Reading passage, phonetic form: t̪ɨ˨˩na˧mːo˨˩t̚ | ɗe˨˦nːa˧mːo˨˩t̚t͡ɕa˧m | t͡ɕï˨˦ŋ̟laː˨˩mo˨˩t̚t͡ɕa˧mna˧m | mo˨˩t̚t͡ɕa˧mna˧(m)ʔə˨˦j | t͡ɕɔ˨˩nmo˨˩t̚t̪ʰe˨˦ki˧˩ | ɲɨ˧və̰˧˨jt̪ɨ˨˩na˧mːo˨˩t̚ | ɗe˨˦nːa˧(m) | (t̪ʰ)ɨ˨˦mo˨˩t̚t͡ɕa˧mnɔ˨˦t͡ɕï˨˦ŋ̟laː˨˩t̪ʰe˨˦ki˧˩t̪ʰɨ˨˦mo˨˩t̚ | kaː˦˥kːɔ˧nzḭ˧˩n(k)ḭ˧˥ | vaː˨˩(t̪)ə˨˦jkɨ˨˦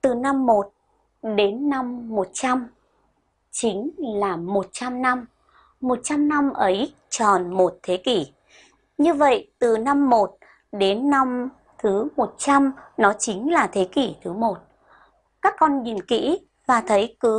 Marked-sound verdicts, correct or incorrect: correct, correct, correct, correct, incorrect: t̪ʰ

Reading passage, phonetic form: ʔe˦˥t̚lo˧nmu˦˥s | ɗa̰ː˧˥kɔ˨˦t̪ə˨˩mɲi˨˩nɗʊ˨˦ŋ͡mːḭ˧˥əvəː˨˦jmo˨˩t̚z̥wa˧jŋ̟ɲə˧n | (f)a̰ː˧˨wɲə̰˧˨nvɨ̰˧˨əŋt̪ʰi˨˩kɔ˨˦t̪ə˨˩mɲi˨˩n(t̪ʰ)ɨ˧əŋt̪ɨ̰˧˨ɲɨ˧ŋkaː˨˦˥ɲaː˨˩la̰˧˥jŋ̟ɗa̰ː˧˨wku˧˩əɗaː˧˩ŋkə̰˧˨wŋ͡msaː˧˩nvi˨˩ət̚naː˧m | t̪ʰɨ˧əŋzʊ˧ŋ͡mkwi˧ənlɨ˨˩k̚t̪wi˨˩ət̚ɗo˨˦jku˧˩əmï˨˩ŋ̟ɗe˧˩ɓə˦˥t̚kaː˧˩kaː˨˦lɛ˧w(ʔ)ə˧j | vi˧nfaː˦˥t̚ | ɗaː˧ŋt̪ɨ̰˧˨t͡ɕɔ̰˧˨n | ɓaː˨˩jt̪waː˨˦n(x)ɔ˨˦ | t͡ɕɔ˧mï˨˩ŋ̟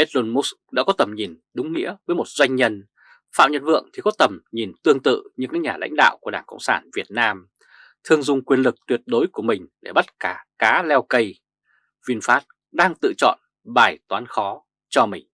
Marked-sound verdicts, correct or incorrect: correct, incorrect: t̪, incorrect: k, correct

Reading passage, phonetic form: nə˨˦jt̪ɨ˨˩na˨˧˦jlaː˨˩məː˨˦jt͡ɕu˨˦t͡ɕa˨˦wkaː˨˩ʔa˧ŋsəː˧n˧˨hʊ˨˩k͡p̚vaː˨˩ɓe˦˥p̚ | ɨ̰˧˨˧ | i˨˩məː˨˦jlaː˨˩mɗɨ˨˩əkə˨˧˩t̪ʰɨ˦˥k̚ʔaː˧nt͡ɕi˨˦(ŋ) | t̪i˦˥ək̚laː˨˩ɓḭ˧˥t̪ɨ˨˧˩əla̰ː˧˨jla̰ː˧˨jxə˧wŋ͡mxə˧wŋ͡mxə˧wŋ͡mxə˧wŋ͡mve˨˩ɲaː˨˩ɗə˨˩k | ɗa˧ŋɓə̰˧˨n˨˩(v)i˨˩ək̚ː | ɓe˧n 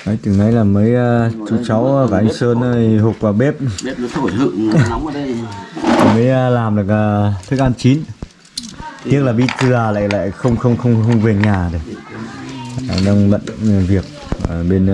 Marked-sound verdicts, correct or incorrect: incorrect: n, correct

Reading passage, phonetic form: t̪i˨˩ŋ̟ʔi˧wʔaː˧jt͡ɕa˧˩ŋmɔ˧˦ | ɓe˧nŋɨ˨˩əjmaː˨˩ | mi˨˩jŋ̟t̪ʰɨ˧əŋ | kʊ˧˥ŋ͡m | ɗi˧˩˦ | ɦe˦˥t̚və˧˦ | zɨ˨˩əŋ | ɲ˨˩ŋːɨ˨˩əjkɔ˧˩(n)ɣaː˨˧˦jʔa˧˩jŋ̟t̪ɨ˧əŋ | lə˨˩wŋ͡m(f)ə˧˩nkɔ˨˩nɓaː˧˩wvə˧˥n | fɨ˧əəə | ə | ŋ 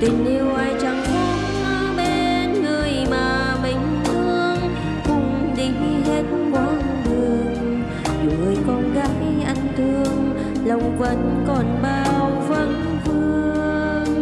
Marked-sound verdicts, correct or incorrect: correct, incorrect: v

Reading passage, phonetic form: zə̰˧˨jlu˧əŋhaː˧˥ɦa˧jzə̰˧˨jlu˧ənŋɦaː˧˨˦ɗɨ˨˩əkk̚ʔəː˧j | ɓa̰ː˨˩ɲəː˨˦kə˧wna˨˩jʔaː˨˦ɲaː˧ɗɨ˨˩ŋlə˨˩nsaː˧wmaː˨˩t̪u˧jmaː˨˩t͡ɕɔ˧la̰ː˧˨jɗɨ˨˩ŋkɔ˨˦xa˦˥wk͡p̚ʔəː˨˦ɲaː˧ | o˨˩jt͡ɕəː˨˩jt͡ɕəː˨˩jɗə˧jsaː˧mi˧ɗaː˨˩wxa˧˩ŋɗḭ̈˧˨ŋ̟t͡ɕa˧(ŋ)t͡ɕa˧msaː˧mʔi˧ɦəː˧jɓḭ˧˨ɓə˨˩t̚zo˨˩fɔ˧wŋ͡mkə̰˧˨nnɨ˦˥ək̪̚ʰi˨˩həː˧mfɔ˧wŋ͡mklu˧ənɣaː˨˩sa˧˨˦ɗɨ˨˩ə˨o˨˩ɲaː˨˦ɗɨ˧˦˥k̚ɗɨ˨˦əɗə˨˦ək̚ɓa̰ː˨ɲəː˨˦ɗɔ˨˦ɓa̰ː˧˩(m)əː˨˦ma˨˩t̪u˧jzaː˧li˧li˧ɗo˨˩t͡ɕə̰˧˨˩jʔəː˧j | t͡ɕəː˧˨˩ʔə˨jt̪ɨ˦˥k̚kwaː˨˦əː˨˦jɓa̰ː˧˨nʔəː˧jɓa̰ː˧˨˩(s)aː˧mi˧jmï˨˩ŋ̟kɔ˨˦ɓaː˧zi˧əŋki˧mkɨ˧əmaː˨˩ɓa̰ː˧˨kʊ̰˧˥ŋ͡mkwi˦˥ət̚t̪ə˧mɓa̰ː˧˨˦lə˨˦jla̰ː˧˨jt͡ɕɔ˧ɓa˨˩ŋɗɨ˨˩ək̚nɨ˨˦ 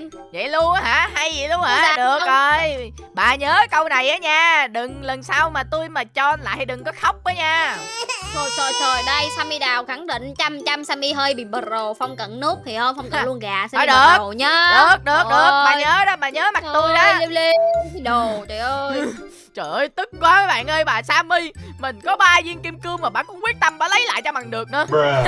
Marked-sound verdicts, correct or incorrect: incorrect: m, incorrect: ɲ, correct

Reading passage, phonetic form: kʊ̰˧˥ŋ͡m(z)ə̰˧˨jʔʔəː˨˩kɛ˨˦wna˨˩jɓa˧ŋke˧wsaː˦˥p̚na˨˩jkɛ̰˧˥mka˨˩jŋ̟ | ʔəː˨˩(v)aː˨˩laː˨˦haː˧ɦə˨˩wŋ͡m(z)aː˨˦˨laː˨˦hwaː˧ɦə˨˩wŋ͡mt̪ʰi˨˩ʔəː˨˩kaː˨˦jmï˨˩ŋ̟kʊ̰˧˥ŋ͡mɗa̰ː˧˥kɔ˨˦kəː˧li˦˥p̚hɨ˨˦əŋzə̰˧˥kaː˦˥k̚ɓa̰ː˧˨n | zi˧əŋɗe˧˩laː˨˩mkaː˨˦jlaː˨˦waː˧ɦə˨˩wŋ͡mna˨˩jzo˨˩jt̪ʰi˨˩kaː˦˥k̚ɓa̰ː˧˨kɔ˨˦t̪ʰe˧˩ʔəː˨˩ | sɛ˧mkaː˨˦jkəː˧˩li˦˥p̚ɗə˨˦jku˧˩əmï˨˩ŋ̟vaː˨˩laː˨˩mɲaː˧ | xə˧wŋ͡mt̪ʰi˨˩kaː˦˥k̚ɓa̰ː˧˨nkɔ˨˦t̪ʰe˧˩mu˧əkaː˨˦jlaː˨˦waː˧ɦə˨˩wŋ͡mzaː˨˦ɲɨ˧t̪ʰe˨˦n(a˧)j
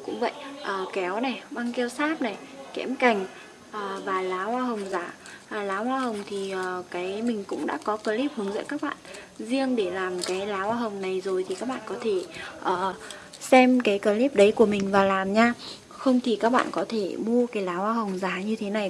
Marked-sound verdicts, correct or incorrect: incorrect: v, correct, correct, incorrect: a˨˩

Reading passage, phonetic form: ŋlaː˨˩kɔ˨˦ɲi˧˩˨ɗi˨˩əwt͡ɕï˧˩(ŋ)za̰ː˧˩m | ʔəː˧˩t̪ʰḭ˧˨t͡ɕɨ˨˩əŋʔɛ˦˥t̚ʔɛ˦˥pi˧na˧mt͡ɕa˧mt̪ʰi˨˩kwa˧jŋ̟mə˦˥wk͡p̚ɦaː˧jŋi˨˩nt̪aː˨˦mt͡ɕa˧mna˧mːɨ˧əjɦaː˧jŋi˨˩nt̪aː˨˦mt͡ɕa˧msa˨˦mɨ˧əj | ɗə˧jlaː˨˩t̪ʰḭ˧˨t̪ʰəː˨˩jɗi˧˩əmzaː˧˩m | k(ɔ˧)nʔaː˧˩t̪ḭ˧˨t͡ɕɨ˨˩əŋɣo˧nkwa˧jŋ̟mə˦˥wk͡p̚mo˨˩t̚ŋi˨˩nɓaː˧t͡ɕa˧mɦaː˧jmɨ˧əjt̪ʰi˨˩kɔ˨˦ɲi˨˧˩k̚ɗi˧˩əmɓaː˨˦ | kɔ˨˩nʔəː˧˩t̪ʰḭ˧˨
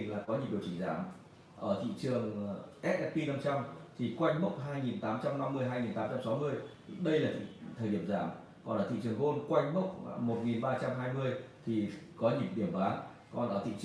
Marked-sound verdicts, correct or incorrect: correct, incorrect: ɔ˨˩

